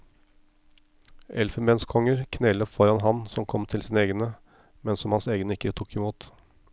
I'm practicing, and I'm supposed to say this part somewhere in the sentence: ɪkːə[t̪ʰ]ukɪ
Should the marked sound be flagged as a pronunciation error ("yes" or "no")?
no